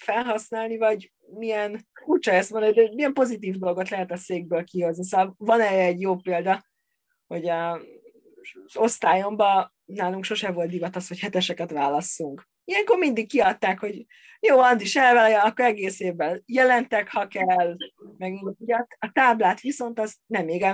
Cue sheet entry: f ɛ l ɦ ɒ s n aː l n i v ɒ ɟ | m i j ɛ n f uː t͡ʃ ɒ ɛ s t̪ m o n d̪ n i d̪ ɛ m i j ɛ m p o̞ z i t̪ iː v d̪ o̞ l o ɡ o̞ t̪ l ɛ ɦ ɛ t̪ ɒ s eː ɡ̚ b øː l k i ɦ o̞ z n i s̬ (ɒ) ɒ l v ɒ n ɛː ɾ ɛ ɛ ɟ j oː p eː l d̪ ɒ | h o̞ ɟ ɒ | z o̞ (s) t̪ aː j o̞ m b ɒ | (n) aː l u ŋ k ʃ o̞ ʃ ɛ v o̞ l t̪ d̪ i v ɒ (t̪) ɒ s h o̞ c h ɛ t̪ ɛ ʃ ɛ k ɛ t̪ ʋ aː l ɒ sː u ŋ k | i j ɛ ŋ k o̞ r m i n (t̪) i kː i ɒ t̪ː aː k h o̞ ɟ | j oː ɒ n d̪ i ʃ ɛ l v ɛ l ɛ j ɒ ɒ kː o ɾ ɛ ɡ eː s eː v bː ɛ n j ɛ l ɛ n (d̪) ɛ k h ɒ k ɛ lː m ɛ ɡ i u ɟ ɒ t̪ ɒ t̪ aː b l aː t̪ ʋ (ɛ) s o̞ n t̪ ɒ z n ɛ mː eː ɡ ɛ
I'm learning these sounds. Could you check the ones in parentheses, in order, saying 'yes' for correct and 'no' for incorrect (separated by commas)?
no, yes, yes, yes, no, no, no